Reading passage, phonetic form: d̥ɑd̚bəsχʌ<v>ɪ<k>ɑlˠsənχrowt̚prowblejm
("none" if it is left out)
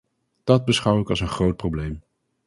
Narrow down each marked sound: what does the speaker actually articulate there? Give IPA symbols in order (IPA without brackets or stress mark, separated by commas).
w, k